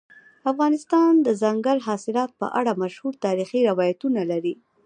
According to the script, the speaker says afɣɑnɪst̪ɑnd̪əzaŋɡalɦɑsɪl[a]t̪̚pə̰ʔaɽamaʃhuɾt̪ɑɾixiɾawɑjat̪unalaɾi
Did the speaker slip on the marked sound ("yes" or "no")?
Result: yes